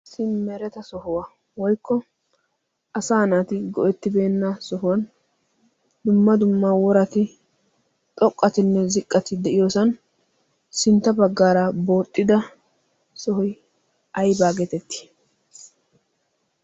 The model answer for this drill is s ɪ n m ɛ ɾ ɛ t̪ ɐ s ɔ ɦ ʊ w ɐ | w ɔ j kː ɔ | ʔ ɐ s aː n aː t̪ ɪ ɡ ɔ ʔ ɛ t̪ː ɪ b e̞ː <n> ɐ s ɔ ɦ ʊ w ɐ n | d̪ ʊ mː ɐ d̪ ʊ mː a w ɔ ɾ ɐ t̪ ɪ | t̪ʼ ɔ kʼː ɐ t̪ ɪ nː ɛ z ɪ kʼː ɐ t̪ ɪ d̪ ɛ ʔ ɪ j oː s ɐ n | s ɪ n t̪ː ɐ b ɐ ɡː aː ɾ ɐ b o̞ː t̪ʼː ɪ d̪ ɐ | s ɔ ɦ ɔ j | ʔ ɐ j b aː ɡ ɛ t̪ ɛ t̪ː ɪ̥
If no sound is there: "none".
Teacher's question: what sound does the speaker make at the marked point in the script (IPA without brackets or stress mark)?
nː